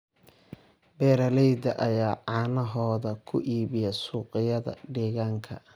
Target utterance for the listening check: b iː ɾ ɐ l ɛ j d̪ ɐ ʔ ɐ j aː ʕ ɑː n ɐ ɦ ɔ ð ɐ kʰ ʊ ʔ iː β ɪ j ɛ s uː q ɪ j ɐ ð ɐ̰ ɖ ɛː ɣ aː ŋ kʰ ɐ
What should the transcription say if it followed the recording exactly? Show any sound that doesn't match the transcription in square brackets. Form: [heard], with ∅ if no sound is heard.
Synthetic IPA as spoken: b [ɛː] ɾ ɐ l ɛ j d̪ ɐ ʔ ɐ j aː ʕ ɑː n ɐ ɦ [ɔː] ð ɐ kʰ ʊ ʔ iː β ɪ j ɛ s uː q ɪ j ɐ ð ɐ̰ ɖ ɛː ɣ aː ŋ kʰ ɐ